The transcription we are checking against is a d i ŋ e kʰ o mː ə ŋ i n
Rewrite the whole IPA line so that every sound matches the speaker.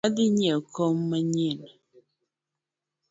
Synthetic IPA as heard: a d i ɲ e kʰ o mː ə ɲ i n